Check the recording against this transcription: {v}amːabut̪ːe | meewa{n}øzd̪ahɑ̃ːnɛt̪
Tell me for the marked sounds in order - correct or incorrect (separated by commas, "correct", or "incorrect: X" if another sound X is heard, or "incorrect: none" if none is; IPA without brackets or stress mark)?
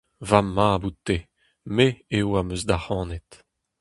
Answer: correct, incorrect: m